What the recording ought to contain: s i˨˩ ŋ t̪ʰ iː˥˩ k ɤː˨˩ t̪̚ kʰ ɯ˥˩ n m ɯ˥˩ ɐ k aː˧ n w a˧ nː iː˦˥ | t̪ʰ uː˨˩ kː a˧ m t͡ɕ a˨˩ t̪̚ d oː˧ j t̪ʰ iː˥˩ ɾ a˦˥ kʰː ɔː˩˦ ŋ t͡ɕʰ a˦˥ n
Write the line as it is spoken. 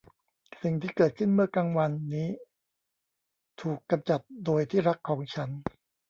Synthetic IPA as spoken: s i˨˩ ŋ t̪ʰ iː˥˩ k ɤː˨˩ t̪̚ kʰ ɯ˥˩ n m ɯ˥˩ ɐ k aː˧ ŋ w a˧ nː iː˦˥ | t̪ʰ uː˨˩ kː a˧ m t͡ɕ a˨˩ t̪̚ d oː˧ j t̪ʰ iː˥˩ ɾ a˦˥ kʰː ɔː˩˦ ŋ t͡ɕʰ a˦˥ n